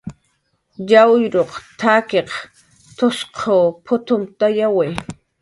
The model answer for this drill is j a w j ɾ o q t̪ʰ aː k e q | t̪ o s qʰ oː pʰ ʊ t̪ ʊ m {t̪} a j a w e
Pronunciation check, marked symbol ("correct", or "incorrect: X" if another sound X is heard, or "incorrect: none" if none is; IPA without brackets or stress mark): correct